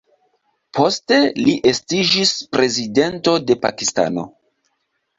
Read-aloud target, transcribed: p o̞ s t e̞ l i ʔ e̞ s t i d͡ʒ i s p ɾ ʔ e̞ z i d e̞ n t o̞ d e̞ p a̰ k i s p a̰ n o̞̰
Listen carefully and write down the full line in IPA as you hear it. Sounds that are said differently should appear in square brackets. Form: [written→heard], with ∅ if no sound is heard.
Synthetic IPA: p o̞ s t e̞ l i ʔ e̞ s t i d͡ʒ i s p ɾ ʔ e̞ z i d e̞ n t o̞ d e̞ p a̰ k i s [p→t] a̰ n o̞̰